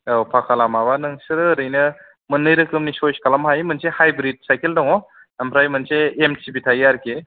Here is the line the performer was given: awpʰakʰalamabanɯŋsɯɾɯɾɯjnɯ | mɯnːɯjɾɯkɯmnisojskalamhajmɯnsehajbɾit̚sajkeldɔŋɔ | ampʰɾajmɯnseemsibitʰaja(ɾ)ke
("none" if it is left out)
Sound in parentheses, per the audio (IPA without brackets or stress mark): ɾ